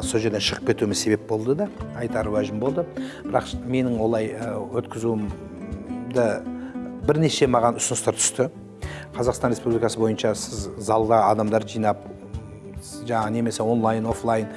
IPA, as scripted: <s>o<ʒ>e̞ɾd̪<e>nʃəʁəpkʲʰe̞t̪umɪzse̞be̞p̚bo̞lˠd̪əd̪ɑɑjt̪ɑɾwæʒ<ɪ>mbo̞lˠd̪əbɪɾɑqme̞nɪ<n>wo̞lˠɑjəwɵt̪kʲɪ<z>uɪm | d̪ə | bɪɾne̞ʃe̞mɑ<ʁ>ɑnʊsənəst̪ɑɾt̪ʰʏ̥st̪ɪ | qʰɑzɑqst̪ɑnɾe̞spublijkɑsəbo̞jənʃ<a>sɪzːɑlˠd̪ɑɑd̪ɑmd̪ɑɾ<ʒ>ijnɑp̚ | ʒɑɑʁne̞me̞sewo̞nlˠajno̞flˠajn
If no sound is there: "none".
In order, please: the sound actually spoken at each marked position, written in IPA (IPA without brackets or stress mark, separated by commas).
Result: s, ʒ, e, ɪ, ŋ, z, ʁ, ɑ, ʒ